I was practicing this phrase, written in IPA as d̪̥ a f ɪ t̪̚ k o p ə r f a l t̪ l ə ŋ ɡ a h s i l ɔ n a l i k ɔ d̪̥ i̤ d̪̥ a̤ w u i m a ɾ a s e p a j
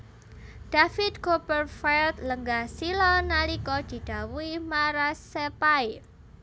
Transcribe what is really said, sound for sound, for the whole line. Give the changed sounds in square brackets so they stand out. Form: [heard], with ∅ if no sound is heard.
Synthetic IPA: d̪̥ a f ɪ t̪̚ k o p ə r f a l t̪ l ə ŋ ɡ a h s i l ɔ n a l i k ɔ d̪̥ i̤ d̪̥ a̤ w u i m a ɾ a s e p a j

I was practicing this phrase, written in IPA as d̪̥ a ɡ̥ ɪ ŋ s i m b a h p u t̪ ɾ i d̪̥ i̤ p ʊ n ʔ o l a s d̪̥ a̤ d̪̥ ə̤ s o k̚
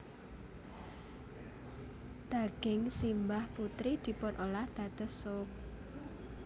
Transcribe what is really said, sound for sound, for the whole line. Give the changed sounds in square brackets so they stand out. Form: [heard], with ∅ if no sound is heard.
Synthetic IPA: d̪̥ a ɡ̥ ɪ ŋ s i m b a h p u t̪ ɾ i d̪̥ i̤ p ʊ n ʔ o l a [h] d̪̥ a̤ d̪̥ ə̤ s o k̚

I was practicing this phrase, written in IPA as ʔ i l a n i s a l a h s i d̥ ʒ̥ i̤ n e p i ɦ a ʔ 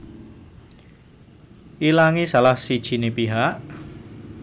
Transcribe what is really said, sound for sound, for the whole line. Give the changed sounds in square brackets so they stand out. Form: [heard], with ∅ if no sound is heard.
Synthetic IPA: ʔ i l a [ŋ] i s a l a h s i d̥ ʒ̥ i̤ n e p i ɦ a ʔ

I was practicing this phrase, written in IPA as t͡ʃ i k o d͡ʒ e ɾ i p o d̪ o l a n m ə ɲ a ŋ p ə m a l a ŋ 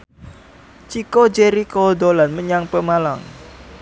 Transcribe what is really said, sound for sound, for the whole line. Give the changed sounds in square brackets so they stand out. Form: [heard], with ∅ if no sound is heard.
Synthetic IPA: t͡ʃ i k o d͡ʒ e ɾ i [k] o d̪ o l a n m ə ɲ a ŋ p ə m a l a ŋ

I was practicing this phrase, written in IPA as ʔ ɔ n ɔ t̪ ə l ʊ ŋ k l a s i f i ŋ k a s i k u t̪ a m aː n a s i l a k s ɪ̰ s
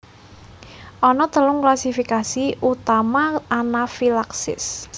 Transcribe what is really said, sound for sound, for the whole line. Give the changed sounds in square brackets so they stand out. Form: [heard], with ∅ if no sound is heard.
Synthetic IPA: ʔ ɔ n ɔ t̪ ə l ʊ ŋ k l a s i f i [∅] k a s i [∅] u t̪ a m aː n a [f] i l a k s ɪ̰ s

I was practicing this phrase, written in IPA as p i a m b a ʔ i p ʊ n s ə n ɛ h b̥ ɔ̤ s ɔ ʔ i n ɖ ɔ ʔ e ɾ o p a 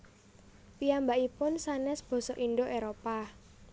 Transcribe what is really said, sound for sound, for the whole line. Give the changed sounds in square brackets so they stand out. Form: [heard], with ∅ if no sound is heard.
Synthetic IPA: p i a m b a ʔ i p ʊ n s [a] n ɛ [s] b̥ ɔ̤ s ɔ ʔ i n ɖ [o] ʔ e ɾ o p a

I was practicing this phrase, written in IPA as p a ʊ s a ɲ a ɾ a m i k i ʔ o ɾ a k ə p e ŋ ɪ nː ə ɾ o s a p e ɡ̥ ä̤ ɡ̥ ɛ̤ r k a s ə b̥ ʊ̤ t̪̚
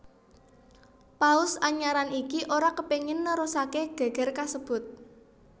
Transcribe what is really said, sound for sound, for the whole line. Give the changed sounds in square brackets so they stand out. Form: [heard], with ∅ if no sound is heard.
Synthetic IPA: p a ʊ s a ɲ a ɾ a [n] i k i ʔ o ɾ a k ə p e ŋ ɪ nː ə ɾ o s a [k] e ɡ̥ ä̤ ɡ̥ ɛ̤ r k a s ə b̥ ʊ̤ t̪̚

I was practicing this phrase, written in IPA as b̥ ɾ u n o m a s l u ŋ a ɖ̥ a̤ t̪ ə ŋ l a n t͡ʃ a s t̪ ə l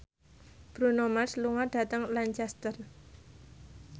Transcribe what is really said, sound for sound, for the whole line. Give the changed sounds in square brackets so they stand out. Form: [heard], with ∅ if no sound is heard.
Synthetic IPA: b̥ ɾ u n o m a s l u ŋ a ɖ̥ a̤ t̪ ə ŋ l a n t͡ʃ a s t̪ ə [r]

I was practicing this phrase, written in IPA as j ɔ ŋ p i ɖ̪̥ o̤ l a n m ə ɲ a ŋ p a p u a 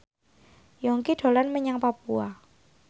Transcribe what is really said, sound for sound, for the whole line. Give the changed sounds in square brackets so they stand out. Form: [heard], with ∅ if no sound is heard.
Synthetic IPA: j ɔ ŋ [k] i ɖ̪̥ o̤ l a n m ə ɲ a ŋ p a p u a

